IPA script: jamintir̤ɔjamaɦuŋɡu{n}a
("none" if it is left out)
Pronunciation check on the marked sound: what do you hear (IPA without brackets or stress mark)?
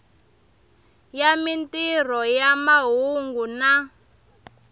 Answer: n